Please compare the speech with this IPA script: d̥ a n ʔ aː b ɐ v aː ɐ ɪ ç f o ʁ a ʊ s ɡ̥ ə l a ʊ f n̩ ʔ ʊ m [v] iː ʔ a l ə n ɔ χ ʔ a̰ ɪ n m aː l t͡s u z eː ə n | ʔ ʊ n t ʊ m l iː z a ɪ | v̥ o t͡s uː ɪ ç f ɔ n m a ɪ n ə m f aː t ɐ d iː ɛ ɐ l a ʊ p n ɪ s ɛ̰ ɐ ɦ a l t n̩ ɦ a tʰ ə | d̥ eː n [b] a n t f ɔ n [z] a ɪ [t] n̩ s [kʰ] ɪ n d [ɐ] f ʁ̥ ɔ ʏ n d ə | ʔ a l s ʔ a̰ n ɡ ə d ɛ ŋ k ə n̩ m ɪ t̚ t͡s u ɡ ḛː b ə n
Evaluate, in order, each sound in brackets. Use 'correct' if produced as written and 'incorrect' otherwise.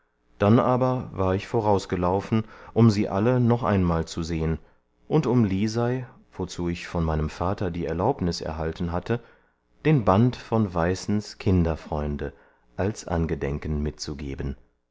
incorrect: z, correct, incorrect: v, incorrect: s, correct, correct

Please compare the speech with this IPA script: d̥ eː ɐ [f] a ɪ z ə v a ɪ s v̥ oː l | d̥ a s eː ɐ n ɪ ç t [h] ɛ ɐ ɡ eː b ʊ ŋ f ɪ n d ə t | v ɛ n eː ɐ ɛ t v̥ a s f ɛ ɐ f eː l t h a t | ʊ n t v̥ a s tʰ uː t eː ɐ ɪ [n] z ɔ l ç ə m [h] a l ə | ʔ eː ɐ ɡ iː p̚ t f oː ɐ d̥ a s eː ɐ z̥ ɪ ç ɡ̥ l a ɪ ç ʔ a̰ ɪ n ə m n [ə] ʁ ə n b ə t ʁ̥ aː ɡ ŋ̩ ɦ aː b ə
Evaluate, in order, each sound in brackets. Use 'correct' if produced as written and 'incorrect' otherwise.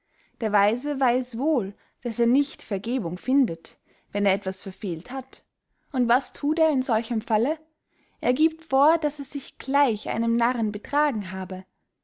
incorrect: v, incorrect: f, correct, incorrect: f, incorrect: a

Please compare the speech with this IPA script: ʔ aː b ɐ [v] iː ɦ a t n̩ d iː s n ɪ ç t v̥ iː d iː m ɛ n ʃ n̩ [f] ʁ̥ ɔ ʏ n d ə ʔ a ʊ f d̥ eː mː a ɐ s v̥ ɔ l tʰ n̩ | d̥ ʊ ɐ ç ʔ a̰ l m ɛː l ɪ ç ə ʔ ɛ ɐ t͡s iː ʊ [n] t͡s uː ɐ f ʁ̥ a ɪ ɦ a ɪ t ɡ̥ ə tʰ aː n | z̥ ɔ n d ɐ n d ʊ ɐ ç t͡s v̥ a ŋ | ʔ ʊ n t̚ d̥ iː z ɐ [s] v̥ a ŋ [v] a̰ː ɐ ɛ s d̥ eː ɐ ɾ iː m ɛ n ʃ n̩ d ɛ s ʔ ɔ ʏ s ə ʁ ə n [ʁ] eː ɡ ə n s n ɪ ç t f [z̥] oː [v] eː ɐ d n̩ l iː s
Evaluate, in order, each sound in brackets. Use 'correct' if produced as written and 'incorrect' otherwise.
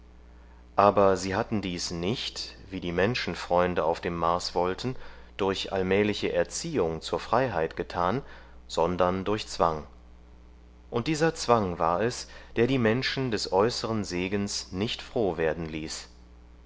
incorrect: z, correct, incorrect: ŋ, incorrect: t͡s, correct, incorrect: z, incorrect: ʁ̥, correct

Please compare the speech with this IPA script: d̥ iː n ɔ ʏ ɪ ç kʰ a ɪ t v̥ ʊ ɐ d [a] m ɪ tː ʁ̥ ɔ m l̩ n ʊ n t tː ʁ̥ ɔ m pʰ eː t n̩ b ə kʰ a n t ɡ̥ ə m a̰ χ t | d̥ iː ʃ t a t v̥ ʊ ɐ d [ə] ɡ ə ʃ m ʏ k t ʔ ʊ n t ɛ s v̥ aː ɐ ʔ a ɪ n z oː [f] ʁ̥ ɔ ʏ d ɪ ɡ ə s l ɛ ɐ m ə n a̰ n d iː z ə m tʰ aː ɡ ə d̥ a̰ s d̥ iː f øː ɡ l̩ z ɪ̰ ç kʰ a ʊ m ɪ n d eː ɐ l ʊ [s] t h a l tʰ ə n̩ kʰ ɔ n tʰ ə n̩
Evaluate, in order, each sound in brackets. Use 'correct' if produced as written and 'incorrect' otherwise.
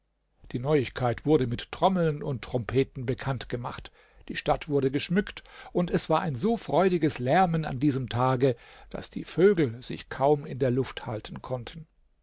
incorrect: ə, correct, correct, incorrect: f

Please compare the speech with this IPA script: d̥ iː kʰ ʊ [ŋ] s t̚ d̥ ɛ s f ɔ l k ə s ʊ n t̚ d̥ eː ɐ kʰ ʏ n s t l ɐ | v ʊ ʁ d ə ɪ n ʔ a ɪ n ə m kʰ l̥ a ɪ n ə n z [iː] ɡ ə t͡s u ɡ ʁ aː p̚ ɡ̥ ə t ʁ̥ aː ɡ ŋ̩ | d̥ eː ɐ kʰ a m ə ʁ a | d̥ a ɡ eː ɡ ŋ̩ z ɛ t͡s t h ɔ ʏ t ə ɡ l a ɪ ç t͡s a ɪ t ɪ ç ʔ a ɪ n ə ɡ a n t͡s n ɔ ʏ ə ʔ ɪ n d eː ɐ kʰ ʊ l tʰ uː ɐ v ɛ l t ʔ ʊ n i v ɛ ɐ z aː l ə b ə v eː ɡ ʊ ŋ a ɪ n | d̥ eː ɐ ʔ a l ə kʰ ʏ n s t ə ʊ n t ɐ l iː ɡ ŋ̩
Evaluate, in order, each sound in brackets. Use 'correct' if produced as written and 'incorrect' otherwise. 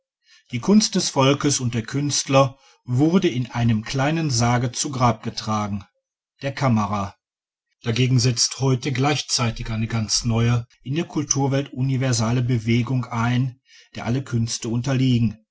incorrect: n, incorrect: aː

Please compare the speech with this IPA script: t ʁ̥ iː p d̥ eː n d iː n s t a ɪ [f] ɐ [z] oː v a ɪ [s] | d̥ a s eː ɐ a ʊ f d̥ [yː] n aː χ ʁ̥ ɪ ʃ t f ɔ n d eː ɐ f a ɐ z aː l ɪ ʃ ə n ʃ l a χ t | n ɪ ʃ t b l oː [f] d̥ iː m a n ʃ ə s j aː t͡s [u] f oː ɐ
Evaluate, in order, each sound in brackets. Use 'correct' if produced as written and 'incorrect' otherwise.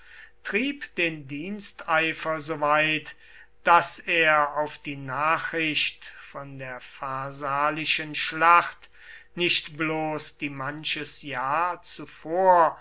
correct, correct, incorrect: t, incorrect: iː, incorrect: s, correct

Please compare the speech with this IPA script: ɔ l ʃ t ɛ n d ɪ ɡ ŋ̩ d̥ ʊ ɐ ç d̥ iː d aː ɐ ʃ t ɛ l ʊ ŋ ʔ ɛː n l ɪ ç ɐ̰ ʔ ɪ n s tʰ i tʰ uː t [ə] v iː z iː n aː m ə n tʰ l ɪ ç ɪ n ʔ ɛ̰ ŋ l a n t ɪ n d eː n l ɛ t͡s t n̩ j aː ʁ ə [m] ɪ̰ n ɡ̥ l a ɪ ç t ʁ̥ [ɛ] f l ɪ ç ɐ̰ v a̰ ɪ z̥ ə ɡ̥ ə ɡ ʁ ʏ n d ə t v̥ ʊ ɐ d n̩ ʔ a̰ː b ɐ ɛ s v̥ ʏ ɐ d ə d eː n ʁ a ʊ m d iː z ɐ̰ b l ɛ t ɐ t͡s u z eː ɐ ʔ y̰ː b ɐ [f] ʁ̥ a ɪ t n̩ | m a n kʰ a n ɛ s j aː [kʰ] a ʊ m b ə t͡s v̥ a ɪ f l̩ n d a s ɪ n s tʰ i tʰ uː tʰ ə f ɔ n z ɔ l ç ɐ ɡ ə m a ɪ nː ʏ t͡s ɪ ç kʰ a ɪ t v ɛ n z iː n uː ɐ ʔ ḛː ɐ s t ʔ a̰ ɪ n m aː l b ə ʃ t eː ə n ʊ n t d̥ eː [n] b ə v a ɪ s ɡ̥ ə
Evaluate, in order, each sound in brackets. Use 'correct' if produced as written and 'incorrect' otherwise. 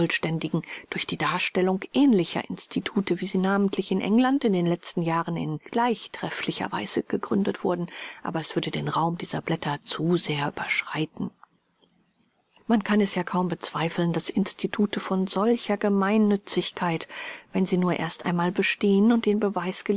correct, incorrect: n, correct, incorrect: ʃ, correct, correct

